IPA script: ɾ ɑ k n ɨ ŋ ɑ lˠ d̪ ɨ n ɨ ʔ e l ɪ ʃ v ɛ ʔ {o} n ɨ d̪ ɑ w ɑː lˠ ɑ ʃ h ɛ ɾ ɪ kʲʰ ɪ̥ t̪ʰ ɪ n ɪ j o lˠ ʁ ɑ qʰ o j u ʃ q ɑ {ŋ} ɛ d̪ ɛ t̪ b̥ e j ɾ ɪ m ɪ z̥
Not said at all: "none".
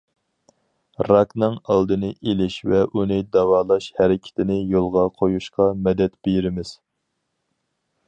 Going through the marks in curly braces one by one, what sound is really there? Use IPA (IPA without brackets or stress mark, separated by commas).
u, m